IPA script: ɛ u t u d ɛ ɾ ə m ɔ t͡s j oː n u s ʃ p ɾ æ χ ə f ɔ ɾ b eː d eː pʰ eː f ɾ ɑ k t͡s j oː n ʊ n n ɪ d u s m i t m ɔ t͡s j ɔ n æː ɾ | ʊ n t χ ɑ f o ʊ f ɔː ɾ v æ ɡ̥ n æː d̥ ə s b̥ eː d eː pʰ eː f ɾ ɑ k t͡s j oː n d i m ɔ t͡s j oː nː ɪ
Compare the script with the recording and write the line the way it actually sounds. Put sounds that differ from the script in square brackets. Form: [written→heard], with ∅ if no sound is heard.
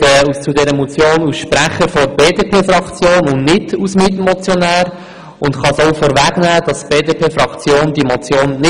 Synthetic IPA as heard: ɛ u [t→t͡s] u d ɛ ɾ ə m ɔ t͡s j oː n u s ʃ p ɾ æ χ ə f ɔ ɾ b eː d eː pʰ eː f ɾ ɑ k t͡s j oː n ʊ n n ɪ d u s m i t m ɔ t͡s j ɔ n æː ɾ | ʊ n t χ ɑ [f→s] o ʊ f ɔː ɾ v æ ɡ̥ n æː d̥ [ə→ɑ] s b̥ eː d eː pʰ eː f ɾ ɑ k t͡s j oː n d i m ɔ t͡s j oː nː ɪ